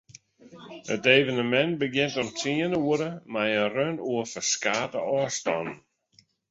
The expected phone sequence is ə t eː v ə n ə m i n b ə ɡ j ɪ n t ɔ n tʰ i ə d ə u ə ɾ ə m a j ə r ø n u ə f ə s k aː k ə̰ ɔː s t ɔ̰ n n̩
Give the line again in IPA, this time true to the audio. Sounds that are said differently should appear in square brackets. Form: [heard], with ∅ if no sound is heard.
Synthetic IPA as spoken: ə t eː v ə n ə m [ɛ] n b ə ɡ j ɪ n t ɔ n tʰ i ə [n] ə u ə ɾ ə m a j ə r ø n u ə f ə s k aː [t] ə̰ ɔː s t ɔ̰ n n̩